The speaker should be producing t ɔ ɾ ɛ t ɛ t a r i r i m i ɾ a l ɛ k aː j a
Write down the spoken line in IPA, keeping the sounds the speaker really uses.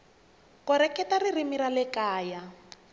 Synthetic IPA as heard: k ɔ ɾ ɛ k ɛ t a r i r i m i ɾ a l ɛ k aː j a